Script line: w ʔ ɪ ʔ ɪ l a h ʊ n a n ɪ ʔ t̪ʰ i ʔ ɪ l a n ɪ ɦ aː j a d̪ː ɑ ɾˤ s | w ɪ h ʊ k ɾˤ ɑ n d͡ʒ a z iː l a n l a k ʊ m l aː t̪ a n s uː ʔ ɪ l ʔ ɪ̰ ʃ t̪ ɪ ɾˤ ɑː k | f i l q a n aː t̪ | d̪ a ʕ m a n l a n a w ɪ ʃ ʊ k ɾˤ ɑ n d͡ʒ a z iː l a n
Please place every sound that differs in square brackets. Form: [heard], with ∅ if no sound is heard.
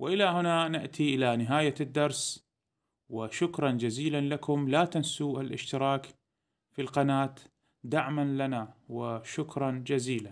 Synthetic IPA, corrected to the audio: w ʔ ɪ ʔ ɪ l a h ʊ n a n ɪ ʔ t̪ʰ i ʔ ɪ l a n ɪ ɦ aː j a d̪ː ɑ ɾˤ s | w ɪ [ʃ] ʊ k ɾˤ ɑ n d͡ʒ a z iː l a n l a k ʊ m l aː t̪ a n s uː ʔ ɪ l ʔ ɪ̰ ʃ t̪ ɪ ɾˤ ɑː k | f i l q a n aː t̪ | d̪ a ʕ m a n l a n a w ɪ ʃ ʊ k ɾˤ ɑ n d͡ʒ a z iː l a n